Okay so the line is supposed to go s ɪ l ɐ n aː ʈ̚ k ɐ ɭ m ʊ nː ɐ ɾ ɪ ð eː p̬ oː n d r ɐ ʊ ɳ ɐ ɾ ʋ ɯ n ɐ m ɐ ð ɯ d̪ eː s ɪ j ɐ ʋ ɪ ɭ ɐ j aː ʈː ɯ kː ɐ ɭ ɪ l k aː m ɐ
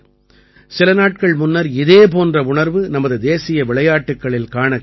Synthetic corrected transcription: s ɪ l ɐ n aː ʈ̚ k ɐ ɭ m ʊ nː ɐ ɾ ɪ ð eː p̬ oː n d r ɐ ʊ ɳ ɐ ɾ ʋ ɯ n ɐ m ɐ ð ɯ d̪ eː s ɪ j ɐ ʋ ɪ ɭ ɐ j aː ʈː ɯ kː ɐ ɭ ɪ l k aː ɳ ɐ